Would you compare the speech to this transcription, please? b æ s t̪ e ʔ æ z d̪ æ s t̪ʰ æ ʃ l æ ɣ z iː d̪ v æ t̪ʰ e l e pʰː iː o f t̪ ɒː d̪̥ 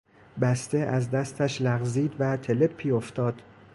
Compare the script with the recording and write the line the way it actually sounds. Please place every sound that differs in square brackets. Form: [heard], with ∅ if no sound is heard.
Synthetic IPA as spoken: b æ s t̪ e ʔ æ z d̪ æ s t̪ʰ æ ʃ l æ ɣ z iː d̪ v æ t̪ʰ e l e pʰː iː o f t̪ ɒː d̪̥

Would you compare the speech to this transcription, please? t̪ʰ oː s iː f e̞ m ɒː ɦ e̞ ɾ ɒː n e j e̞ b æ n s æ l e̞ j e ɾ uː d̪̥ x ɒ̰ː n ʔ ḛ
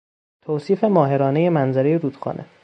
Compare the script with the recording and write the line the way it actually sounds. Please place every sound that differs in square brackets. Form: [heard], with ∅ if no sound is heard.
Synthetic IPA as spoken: t̪ʰ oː s iː f e̞ m ɒː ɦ e̞ ɾ ɒː n e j e̞ [m] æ n [z] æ [ɾ] e̞ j e ɾ uː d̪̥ x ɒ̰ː n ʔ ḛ

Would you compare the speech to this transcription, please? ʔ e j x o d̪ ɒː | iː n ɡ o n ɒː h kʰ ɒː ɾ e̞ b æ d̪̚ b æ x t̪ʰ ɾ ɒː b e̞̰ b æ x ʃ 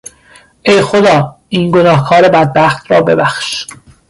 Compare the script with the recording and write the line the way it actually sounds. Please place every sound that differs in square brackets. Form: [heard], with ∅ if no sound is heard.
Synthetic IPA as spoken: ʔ e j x o d̪ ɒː | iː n ɡ o n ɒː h kʰ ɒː ɾ e̞ b æ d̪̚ b æ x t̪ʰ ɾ ɒː b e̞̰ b æ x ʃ

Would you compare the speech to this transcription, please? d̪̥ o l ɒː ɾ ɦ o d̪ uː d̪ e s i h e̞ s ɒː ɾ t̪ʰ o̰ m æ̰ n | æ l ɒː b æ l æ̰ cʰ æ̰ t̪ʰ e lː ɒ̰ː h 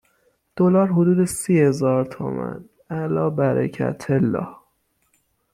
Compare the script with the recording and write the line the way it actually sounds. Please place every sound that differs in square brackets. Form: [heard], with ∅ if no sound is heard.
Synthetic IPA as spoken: d̪̥ o l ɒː ɾ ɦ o d̪ uː d̪ e s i h e̞ [z] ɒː ɾ t̪ʰ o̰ m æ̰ n | æ l ɒː b æ [ɾ] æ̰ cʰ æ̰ t̪ʰ e lː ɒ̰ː h

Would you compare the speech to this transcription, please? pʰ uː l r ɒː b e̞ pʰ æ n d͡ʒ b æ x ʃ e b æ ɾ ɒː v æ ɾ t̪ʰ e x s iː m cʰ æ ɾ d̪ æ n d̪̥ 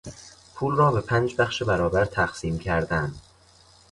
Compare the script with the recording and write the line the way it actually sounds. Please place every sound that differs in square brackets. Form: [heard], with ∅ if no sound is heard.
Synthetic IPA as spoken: pʰ uː l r ɒː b e̞ pʰ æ n d͡ʒ b æ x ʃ e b æ ɾ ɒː [b] æ ɾ t̪ʰ [æ] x s iː m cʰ æ ɾ d̪ æ n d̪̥

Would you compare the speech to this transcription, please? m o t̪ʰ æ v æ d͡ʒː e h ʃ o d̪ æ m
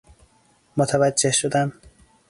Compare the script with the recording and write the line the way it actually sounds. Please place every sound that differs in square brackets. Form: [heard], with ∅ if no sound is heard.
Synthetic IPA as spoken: m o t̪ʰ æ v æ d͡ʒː e h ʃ o d̪ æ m

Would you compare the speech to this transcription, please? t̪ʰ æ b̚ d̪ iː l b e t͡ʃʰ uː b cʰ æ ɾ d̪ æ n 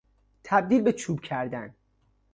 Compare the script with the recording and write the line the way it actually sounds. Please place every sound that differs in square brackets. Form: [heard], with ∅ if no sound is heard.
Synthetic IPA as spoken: t̪ʰ æ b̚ d̪ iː l b e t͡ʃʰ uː b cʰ æ ɾ d̪ æ n

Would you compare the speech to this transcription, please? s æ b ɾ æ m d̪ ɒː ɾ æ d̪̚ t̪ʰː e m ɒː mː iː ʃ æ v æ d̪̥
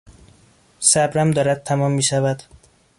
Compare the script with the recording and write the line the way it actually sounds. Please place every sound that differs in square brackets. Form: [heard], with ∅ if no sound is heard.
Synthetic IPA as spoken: s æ b ɾ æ m d̪ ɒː ɾ æ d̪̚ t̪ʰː [æ] m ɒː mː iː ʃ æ v æ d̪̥

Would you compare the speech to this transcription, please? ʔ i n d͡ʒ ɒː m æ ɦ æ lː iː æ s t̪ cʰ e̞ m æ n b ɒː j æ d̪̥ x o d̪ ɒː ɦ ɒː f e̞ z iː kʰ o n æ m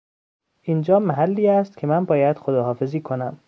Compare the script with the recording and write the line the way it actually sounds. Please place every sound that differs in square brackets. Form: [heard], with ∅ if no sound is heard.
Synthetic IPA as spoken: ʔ i n d͡ʒ ɒː m æ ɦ æ lː iː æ s t̪ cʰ e̞ m æ n b ɒː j æ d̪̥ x o d̪ ɒː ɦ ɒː f e̞ z iː kʰ o n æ m

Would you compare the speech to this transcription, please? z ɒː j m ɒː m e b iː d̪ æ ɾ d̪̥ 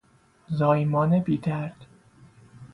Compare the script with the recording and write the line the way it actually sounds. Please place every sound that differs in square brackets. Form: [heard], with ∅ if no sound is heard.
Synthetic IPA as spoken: z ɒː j m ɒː [n] e b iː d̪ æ ɾ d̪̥

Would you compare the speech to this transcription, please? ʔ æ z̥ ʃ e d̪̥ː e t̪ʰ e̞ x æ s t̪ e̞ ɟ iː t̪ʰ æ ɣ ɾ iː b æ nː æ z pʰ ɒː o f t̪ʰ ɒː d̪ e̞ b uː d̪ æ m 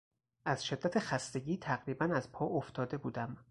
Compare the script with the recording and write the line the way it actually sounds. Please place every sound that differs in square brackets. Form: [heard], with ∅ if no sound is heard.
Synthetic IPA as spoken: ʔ æ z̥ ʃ e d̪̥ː [æ] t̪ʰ e̞ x æ s t̪ e̞ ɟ iː t̪ʰ æ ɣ ɾ iː b æ [n] æ z pʰ ɒː o f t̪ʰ ɒː d̪ e̞ b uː d̪ æ m

